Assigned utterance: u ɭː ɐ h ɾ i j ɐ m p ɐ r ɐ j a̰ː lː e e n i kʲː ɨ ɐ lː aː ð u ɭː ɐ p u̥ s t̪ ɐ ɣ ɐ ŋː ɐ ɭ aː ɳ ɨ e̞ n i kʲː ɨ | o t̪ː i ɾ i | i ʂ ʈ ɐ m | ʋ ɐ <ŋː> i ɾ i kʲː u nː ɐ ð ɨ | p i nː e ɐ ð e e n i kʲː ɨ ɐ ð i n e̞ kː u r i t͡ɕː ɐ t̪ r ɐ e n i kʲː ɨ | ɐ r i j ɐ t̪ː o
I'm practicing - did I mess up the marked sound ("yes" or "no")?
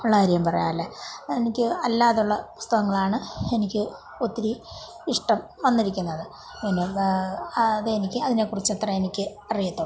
yes